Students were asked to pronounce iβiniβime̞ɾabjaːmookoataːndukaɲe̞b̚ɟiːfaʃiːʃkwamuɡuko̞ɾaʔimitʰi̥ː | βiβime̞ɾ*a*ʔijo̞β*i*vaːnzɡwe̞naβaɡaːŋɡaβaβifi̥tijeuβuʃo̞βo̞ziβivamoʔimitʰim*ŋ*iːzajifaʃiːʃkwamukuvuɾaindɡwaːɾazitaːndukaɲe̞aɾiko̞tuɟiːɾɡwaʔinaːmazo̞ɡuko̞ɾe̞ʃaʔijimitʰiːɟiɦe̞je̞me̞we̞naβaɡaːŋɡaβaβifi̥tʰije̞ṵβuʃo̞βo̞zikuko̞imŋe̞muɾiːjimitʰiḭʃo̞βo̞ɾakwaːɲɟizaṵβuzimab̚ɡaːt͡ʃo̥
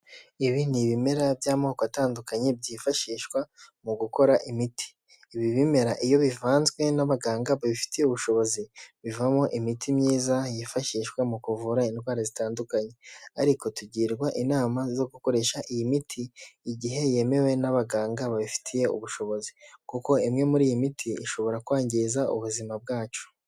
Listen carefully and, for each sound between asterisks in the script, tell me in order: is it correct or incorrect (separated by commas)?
correct, correct, incorrect